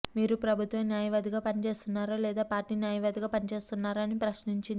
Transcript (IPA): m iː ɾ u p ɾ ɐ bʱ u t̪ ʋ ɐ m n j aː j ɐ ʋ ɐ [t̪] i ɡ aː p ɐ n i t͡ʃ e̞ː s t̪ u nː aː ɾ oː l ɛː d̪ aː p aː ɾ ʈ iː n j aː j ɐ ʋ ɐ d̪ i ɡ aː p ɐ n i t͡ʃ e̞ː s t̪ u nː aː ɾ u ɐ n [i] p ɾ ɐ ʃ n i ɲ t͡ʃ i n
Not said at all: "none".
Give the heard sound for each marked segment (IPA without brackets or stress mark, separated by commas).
d̪, i